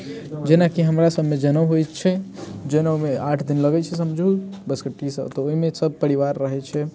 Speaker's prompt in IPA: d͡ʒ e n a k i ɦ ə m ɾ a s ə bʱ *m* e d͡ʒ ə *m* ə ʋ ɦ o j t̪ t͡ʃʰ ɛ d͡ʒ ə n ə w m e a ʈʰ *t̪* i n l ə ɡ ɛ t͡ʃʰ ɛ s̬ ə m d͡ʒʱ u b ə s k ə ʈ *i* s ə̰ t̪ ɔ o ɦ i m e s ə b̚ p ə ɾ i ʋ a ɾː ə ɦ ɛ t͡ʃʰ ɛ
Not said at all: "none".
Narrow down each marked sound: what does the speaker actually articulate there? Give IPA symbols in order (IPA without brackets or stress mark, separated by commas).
m, n, d̪, i